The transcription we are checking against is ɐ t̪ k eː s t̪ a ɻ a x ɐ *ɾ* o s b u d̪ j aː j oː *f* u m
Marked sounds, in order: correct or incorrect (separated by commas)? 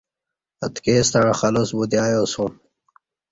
incorrect, incorrect